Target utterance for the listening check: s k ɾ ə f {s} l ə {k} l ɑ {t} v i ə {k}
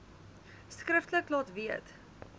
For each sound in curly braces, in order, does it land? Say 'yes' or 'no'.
no, yes, yes, no

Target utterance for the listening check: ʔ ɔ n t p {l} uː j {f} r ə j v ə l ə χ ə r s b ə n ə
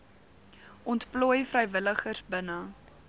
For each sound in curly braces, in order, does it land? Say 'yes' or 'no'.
yes, yes

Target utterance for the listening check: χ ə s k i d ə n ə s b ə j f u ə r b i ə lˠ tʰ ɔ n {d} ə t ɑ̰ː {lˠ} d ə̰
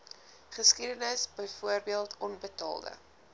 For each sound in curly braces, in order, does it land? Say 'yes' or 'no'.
no, yes

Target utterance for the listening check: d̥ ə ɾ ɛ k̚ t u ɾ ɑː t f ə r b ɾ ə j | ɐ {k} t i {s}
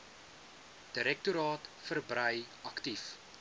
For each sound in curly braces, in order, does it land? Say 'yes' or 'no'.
yes, no

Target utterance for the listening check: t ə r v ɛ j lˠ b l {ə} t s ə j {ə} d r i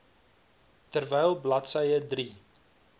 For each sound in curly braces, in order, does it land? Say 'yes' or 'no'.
no, yes

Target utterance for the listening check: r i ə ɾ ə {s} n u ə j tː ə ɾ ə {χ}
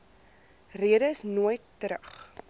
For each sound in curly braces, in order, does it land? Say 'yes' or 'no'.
yes, yes

